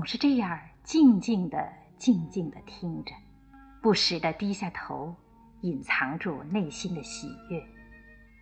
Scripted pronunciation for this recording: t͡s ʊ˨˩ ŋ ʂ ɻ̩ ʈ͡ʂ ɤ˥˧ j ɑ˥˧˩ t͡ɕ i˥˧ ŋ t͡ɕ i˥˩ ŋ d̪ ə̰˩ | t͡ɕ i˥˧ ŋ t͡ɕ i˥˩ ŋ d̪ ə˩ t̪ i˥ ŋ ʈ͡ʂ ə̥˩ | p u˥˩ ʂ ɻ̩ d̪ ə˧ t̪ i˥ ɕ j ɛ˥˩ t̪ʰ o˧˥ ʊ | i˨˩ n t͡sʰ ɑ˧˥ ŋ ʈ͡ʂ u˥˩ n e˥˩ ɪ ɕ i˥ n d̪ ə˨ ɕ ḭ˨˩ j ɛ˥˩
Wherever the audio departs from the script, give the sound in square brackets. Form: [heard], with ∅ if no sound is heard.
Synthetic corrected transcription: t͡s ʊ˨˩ ŋ ʂ ɻ̩ ʈ͡ʂ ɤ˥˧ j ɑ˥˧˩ t͡ɕ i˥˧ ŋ t͡ɕ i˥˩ ŋ d̪ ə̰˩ | t͡ɕ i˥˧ ŋ t͡ɕ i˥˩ ŋ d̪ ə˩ [t̪ʰ] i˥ ŋ ʈ͡ʂ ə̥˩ | p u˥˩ ʂ ɻ̩ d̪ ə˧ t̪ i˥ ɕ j [a˥˩] t̪ʰ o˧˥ ʊ | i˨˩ n t͡sʰ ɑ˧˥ ŋ ʈ͡ʂ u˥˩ n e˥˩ ɪ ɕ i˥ n d̪ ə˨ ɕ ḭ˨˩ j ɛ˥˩